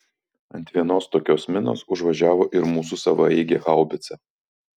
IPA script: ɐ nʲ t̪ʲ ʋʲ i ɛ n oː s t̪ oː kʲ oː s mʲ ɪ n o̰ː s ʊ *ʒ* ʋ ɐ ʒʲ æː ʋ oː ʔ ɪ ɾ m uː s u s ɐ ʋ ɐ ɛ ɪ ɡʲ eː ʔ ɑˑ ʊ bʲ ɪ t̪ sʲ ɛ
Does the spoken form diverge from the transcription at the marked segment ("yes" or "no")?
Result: no